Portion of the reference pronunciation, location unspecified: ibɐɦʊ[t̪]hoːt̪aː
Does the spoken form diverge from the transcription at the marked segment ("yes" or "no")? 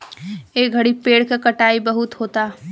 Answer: no